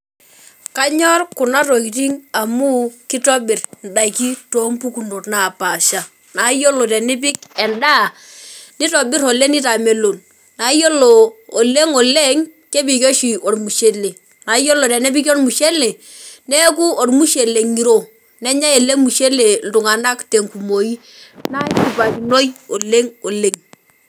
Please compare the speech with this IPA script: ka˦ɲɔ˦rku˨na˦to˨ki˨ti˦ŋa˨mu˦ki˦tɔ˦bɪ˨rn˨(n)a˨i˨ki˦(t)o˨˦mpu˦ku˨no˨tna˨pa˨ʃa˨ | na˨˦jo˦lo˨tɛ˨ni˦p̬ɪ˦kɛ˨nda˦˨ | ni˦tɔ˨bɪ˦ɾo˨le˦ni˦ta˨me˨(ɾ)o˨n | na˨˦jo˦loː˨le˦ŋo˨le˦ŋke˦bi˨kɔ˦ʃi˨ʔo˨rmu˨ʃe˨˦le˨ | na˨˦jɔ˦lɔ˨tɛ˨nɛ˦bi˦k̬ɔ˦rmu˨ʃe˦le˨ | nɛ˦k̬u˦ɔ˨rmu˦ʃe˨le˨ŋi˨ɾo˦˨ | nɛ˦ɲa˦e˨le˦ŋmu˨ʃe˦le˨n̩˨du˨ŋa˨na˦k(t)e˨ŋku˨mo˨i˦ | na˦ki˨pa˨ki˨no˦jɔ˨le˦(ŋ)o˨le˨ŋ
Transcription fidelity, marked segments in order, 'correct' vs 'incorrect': incorrect, correct, incorrect, correct, correct

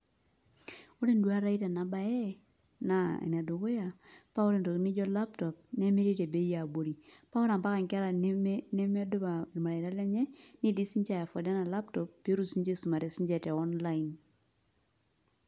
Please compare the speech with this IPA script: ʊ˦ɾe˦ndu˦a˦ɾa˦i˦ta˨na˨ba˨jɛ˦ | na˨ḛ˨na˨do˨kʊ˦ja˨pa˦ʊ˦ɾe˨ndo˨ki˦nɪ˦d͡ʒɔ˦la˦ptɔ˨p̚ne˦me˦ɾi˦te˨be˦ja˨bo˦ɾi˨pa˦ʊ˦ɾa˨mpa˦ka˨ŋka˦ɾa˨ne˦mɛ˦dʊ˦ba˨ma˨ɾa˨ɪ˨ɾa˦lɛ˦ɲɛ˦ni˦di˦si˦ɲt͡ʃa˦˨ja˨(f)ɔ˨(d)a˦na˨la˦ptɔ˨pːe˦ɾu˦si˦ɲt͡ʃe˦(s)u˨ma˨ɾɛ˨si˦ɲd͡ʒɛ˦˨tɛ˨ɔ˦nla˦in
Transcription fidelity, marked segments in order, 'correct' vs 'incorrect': correct, correct, correct

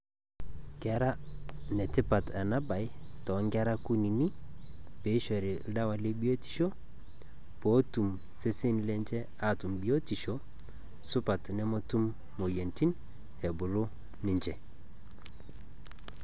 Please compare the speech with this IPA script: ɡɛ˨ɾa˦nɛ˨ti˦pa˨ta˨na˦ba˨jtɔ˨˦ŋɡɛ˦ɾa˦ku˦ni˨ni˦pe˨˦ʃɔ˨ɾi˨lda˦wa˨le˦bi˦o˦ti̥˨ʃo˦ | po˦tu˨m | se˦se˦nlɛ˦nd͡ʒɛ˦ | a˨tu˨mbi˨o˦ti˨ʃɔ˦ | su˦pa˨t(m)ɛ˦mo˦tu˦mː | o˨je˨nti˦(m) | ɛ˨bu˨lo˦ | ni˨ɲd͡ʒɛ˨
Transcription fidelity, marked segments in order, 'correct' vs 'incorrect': incorrect, incorrect

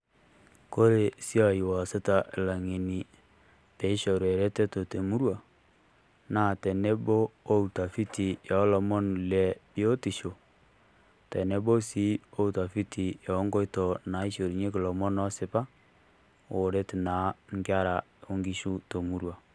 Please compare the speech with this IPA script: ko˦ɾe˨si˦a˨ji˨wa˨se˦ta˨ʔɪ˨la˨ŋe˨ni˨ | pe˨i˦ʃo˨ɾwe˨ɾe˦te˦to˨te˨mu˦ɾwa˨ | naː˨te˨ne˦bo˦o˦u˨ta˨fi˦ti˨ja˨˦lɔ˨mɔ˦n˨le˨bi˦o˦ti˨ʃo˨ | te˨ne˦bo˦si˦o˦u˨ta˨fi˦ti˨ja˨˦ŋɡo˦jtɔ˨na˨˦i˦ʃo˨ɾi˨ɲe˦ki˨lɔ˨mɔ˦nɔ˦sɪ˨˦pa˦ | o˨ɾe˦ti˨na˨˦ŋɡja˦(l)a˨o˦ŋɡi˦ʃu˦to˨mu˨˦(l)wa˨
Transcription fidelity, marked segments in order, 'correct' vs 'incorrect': incorrect, incorrect

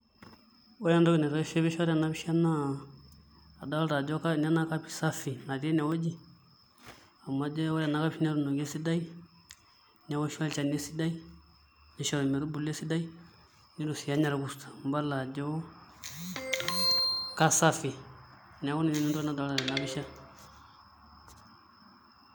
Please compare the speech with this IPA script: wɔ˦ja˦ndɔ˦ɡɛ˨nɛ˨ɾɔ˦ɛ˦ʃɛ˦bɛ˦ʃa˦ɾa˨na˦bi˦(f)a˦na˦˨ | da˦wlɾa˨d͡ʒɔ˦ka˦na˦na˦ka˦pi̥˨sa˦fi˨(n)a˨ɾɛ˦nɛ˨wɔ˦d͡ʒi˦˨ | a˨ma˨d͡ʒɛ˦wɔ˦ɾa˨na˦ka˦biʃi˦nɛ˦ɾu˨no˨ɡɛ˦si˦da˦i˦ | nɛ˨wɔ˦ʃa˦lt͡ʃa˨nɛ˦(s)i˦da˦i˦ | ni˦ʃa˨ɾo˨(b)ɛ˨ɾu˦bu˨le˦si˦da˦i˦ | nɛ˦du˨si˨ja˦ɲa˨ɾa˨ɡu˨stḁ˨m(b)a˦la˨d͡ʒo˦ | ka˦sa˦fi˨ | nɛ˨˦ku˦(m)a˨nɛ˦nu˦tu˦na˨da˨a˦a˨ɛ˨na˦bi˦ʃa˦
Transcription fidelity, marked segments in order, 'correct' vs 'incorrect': incorrect, correct, correct, incorrect, correct, incorrect

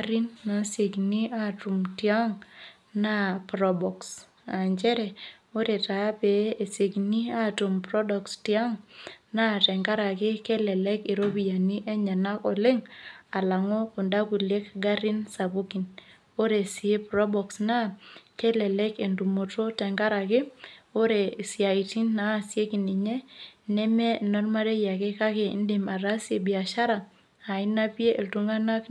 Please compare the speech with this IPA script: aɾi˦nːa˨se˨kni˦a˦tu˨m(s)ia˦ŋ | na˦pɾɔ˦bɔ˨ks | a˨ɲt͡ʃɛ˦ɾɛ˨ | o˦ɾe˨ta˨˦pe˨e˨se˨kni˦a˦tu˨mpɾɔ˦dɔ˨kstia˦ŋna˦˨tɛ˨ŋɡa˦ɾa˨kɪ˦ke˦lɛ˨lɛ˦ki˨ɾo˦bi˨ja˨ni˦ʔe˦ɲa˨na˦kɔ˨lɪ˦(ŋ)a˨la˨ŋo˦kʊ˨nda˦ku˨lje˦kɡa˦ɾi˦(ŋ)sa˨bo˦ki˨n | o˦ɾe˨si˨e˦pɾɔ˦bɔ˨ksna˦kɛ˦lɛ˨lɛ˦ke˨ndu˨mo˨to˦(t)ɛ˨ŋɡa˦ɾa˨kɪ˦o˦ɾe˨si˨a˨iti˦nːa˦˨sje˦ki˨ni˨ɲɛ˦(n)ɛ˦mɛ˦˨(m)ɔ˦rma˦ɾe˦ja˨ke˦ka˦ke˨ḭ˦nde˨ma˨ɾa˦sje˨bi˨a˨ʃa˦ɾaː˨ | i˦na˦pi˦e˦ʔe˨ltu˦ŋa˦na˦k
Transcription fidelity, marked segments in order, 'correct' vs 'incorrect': incorrect, correct, incorrect, correct, correct, incorrect

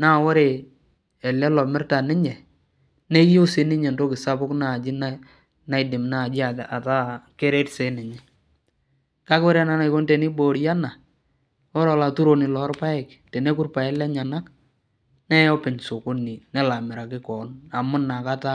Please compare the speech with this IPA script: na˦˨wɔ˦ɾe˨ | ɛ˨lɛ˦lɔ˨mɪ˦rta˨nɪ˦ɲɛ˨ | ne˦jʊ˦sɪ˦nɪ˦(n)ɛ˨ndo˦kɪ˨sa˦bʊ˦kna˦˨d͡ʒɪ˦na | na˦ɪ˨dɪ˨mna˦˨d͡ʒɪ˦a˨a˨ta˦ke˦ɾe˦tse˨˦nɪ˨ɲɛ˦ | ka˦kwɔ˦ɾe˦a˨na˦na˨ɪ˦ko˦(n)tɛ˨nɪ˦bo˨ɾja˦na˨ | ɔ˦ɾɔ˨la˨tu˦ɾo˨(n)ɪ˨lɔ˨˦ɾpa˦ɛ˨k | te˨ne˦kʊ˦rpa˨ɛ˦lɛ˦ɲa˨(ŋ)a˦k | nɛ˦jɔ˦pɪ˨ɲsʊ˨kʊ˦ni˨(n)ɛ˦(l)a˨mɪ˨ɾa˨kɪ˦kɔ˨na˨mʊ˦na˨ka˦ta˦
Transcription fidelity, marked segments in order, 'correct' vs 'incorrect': incorrect, correct, correct, incorrect, correct, correct

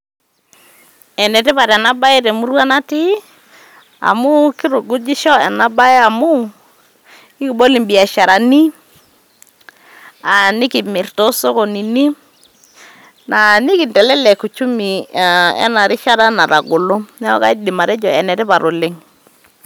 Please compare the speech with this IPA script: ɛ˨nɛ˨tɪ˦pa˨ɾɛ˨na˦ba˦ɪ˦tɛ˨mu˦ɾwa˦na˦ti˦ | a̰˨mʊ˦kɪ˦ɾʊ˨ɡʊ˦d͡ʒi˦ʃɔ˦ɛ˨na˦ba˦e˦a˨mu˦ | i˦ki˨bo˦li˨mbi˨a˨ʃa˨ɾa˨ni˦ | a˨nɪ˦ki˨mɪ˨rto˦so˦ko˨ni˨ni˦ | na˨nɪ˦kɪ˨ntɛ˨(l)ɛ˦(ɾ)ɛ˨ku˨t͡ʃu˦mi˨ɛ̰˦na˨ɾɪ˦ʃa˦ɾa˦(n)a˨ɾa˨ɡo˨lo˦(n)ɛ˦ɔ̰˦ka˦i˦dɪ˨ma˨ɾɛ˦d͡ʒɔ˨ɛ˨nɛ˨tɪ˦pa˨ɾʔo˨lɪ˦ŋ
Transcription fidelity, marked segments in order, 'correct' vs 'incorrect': correct, incorrect, correct, correct

